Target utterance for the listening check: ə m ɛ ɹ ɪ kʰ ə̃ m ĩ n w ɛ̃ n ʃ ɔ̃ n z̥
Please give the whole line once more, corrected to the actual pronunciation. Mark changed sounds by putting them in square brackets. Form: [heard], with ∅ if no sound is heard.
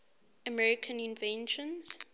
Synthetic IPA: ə m ɛ ɹ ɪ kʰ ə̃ [n] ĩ n [v] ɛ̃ n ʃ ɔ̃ n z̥